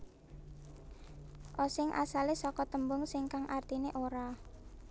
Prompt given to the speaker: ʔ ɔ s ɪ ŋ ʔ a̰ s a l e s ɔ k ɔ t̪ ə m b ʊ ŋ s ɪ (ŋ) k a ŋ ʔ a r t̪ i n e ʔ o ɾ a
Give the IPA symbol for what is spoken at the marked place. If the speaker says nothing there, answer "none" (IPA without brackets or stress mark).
ŋ